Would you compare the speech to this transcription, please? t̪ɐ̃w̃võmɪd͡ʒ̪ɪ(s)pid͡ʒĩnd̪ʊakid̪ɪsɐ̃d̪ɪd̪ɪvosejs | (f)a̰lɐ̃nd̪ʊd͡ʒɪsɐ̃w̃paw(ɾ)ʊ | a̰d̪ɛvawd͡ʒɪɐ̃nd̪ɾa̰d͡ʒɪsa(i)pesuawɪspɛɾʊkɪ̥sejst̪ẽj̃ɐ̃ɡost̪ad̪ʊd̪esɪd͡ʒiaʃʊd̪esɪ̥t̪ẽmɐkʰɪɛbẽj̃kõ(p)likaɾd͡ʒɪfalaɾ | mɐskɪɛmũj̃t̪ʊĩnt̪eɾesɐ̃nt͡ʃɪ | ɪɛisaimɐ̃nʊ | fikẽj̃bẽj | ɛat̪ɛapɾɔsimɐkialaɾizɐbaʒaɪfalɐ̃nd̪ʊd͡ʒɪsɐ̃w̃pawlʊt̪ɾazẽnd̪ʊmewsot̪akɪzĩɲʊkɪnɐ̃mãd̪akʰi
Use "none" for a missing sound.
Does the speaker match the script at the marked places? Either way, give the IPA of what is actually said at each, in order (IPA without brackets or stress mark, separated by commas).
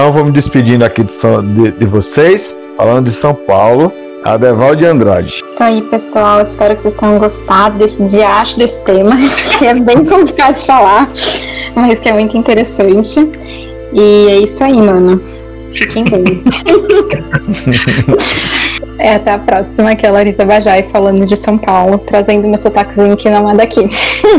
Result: s, f, l, i, p